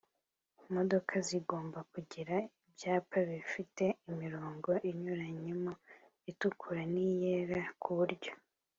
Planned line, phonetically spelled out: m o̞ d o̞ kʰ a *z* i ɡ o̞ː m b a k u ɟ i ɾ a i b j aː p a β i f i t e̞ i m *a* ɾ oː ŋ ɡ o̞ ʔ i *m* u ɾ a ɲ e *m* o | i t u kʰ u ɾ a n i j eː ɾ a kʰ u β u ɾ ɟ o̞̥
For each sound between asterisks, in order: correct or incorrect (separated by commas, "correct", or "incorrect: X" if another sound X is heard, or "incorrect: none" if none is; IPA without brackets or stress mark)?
correct, incorrect: i, incorrect: ɲ, correct